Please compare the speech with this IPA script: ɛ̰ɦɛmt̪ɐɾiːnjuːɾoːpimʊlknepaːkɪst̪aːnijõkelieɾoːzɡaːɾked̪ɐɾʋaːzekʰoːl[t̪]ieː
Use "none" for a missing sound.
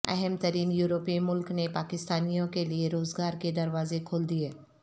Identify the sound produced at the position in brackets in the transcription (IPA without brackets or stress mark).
d̪